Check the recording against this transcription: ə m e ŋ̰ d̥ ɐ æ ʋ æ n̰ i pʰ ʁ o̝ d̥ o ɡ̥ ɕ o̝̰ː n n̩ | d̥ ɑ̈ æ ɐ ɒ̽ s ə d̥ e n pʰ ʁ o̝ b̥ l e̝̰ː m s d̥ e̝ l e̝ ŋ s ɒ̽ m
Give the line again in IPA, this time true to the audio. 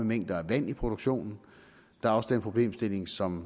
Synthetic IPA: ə m e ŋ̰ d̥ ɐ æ ʋ æ n̰ i pʰ ʁ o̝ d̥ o ɡ̥ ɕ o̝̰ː n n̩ | d̥ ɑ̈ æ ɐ ɒ̽ s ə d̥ e n pʰ ʁ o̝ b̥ l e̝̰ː m s d̥ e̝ l e̝ ŋ s ɒ̽ m